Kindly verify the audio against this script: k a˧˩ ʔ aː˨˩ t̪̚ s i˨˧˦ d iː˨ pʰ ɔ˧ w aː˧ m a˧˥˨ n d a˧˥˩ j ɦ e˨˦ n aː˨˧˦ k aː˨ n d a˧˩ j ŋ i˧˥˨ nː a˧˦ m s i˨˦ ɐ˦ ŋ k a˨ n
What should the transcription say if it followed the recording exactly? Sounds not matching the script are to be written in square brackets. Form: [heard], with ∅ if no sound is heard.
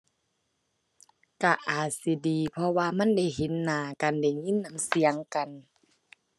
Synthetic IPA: k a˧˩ ʔ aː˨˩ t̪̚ s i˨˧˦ d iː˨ pʰ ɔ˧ w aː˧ m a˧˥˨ n d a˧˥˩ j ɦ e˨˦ [nː] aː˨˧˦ k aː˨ n d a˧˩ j ŋ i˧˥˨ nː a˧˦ m s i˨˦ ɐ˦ ŋ k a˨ n